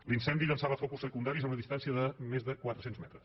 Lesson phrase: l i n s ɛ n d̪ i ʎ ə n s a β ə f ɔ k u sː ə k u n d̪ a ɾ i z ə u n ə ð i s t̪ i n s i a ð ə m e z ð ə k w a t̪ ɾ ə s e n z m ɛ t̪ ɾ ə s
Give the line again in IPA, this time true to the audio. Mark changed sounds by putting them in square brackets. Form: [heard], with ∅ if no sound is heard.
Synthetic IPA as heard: l i n s ɛ n d̪ i ʎ ə n s a β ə f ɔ k u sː ə k u n d̪ a ɾ i z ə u n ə ð i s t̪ [a] n s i [ə] ð ə m e z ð ə k w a t̪ ɾ ə s e n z m ɛ t̪ ɾ ə s